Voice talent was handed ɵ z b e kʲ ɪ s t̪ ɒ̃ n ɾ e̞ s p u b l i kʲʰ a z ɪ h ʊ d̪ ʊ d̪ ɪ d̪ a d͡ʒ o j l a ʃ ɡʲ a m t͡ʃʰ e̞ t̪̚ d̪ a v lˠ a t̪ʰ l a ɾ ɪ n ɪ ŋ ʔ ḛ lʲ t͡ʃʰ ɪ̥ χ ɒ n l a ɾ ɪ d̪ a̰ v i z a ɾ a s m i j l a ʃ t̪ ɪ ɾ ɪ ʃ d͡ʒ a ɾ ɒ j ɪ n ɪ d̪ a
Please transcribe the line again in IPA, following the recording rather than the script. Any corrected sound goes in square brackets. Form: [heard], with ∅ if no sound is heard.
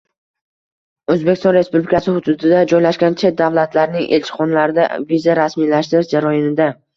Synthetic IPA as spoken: ɵ z b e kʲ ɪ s t̪ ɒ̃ n ɾ e̞ s p u b l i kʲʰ a [s] ɪ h ʊ d̪ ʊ d̪ ɪ d̪ a d͡ʒ [ɒ] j l a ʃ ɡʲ a [n] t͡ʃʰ e̞ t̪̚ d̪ a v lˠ a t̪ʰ l a ɾ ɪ n ɪ ŋ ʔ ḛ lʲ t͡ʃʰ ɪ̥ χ ɒ n l a ɾ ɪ d̪ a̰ v i z a ɾ a s m i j l a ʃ t̪ ɪ ɾ ɪ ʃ d͡ʒ a ɾ ɒ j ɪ n ɪ d̪ a